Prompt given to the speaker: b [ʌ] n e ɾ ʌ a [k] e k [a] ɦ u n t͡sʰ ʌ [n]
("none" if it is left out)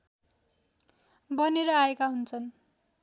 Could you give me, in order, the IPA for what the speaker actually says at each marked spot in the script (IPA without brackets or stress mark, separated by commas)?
ʌ, none, a, n